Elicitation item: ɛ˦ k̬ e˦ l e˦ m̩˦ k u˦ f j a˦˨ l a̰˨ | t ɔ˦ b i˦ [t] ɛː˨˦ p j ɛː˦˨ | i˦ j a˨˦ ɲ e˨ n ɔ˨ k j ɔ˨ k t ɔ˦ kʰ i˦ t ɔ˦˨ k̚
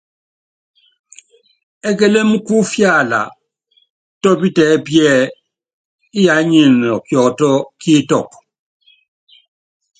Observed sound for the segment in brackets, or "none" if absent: t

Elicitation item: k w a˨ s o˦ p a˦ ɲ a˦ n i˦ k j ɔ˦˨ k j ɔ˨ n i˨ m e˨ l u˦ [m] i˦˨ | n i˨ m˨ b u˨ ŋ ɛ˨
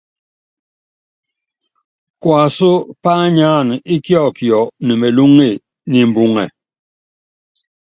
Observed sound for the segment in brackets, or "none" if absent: ŋ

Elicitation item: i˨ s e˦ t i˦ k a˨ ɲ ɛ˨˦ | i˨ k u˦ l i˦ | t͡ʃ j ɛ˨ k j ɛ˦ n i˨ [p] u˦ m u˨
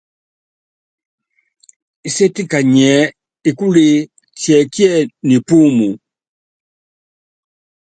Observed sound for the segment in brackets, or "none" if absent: p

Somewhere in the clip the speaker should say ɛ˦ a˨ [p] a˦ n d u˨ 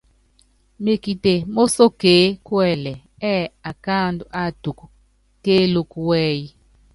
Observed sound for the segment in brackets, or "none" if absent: k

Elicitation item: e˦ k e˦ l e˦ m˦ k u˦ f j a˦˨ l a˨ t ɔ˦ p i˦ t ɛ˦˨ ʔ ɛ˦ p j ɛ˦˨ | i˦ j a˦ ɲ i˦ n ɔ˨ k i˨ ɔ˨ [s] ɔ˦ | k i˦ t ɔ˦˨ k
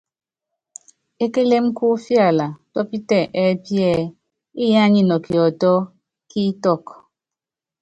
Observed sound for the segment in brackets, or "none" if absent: t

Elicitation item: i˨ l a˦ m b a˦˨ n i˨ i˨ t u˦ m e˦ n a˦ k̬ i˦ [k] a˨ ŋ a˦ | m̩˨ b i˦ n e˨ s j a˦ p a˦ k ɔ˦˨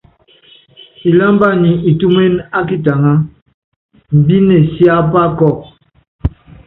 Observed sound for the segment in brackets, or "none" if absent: t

